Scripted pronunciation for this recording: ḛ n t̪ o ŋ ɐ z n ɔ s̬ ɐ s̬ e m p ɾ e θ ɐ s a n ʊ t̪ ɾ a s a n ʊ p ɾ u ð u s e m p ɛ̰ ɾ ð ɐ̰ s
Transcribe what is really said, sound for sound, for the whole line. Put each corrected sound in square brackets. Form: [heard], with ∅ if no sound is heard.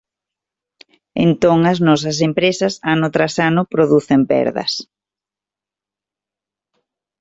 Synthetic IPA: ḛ n t̪ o ŋ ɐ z n ɔ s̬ ɐ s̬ e m p ɾ e [s] ɐ s a n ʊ t̪ ɾ a s a n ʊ p ɾ [o] ð u [θ] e m p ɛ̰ ɾ ð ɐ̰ s